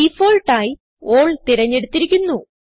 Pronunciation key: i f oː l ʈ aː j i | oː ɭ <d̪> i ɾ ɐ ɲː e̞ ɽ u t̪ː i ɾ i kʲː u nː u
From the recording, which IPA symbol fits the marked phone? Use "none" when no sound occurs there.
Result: t̪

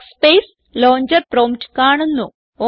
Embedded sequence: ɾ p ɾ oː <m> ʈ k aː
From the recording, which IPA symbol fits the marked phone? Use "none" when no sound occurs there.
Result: m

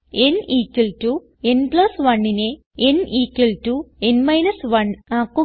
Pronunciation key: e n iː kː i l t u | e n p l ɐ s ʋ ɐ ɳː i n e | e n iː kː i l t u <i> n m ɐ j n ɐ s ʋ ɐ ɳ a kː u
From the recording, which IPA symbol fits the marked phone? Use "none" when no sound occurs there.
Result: e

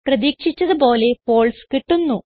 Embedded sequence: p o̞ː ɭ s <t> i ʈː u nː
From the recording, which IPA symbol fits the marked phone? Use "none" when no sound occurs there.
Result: k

